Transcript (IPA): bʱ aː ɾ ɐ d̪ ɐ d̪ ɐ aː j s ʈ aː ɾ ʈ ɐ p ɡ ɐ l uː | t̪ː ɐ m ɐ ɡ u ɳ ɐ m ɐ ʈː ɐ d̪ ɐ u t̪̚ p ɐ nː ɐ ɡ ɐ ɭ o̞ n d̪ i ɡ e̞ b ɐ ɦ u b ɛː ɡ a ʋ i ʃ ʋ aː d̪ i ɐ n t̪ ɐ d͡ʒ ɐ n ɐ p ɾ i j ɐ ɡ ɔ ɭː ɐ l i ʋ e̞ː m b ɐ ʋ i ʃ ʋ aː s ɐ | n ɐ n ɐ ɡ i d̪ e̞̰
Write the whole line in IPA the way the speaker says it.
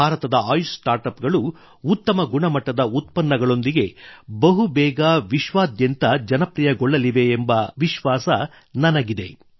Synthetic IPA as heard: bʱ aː ɾ ɐ t̪ ɐ d̪ ɐ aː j s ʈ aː ɾ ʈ ɐ p ɡ ɐ ɭ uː | t̪ː ɐ m ɐ ɡ u ɳ ɐ m ɐ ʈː ɐ d̪ ɐ u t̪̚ p ɐ nː ɐ ɡ ɐ ɭ o̞ n d̪ i ɡ e̞ b ɐ ɦ u b ɛː ɡ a ʋ i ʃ ʋ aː d̪ j ɐ n t̪ ɐ d͡ʒ ɐ n ɐ p ɾ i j ɐ ɡ ɔ ɭː ɐ l i ʋ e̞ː m b ɐ ʋ i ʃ ʋ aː s ɐ | n ɐ n ɐ ɡ i d̪ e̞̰

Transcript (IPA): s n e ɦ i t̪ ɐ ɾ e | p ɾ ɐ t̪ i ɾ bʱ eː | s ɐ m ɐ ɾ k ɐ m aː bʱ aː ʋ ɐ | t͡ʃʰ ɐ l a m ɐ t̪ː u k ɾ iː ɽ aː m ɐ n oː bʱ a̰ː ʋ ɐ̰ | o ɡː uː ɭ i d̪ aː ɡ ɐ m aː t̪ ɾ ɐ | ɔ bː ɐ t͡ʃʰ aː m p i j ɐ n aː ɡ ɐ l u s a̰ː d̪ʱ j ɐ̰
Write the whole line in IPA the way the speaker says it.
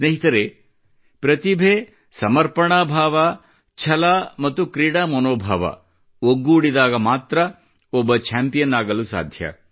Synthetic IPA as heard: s n e ɦ i t̪ ɐ ɾ e | p ɾ ɐ t̪ i bʱ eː | s ɐ m ɐ ɾ p ɐ ɳ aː bʱ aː ʋ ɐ | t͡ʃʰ ɐ l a m ɐ t̪ː u k ɾ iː ɽ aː m ɐ n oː bʱ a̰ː ʋ ɐ̰ | o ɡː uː ɽ i d̪ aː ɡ ɐ m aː t̪ ɾ ɐ | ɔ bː ɐ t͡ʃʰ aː m p i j ɐ n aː ɡ ɐ l u s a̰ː d̪ʱ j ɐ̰

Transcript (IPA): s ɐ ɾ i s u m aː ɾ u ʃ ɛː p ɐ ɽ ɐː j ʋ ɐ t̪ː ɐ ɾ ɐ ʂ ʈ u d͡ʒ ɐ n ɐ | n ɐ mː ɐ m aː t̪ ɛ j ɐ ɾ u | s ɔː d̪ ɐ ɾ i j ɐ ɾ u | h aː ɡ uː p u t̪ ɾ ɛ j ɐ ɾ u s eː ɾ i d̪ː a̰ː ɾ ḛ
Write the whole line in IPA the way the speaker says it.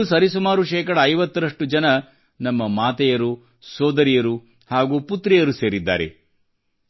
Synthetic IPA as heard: s ɐ ɾ i s u m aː ɾ u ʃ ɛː k ɐ ɽ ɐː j ʋ ɐ t̪ː ɐ ɾ ɐ ʂ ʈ u d͡ʒ ɐ n ɐ | n ɐ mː ɐ m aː t̪ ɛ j ɐ ɾ u | s ɔː d̪ ɐ ɾ i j ɐ ɾ u | h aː ɡ uː p u t̪ ɾ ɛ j ɐ ɾ u s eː ɾ i d̪ː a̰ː ɾ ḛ

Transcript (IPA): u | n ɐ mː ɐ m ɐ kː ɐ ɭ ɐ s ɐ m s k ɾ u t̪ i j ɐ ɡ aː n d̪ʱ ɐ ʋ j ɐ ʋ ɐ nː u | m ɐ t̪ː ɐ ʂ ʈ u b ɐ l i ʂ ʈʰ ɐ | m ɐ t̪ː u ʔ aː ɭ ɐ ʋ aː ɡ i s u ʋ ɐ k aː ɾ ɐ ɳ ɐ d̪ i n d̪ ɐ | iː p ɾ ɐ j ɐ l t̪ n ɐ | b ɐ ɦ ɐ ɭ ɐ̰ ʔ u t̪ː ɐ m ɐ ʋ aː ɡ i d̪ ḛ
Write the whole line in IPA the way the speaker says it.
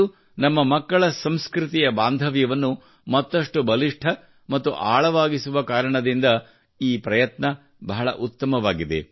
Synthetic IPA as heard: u | n ɐ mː ɐ m ɐ kː ɐ ɭ ɐ s ɐ m s k ɾ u t̪ i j ɐ b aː n d̪ʱ ɐ ʋ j ɐ ʋ ɐ nː u | m ɐ t̪ː ɐ ʂ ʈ u b ɐ l i ʂ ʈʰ ɐ | m ɐ t̪ː u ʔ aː ɭ ɐ ʋ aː ɡ i s u ʋ ɐ k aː ɾ ɐ ɳ ɐ d̪ i n d̪ ɐ | iː p ɾ ɐ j ɐ t̪ n ɐ | b ɐ ɦ ɐ ɭ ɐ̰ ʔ u t̪ː ɐ m ɐ ʋ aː ɡ i d̪ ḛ

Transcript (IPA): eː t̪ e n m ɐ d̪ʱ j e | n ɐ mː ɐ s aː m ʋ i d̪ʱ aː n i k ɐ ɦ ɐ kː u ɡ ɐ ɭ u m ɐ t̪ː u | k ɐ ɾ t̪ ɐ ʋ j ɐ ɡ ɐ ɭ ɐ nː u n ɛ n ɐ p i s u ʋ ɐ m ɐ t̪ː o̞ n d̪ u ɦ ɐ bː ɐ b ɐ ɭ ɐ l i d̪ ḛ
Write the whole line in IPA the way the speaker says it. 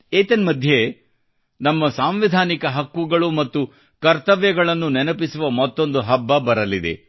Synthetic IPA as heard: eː t̪ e n m ɐ d̪ʱ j e | n ɐ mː ɐ s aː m ʋ i d̪ʱ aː n i k ɐ ɦ ɐ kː u ɡ ɐ ɭ u m ɐ t̪ː u | k ɐ ɾ t̪ ɐ ʋ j ɐ ɡ ɐ ɭ ɐ nː u n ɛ n ɐ p i s u ʋ ɐ m ɐ t̪ː o̞ n d̪ u ɦ ɐ bː ɐ b ɐ ɾ ɐ l i d̪ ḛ

